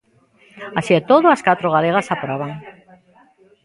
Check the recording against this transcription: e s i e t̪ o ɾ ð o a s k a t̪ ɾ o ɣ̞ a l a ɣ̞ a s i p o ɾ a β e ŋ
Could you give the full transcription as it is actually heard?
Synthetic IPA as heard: a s i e t̪ o ð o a s k a t̪ ɾ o ɣ̞ a l e ɣ̞ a s a p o ɾ a β a ŋ